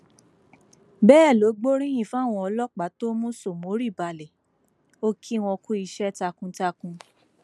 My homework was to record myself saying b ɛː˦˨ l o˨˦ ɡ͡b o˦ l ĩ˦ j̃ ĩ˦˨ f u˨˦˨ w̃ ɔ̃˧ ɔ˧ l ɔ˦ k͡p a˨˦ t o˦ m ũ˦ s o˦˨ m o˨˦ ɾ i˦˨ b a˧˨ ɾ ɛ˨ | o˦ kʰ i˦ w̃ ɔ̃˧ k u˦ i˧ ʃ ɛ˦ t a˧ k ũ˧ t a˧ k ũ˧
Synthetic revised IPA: b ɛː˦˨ l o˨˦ ɡ͡b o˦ ɾ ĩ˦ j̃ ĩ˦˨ f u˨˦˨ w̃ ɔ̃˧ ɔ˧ l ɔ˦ k͡p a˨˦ t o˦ m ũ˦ s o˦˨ m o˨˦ ɾ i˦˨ b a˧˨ l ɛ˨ | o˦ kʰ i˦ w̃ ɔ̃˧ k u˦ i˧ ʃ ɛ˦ t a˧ k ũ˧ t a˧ k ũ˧